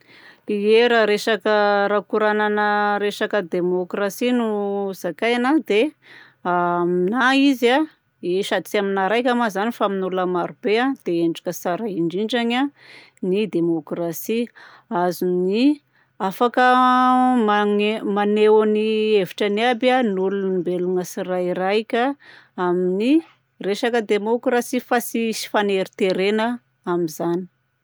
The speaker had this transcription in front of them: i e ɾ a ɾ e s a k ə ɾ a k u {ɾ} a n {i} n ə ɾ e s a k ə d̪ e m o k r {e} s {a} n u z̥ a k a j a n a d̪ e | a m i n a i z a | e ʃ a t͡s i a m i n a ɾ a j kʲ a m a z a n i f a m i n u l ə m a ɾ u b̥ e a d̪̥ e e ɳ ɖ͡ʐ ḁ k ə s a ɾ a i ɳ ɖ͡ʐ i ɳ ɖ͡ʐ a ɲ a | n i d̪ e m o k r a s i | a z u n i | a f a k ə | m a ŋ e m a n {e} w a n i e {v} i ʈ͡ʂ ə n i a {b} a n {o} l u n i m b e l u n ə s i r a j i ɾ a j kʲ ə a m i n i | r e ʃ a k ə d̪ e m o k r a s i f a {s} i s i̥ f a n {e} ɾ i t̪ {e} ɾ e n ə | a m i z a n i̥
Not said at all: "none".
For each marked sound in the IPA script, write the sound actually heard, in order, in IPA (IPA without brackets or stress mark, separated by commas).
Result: ɾ, a, a, i, e, v, b, u, s, e, e